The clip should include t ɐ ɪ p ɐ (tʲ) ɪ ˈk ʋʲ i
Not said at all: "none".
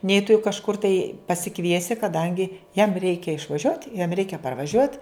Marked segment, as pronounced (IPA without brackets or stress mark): sʲ